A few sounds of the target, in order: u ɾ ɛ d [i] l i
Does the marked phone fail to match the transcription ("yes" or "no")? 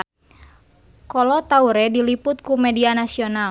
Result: no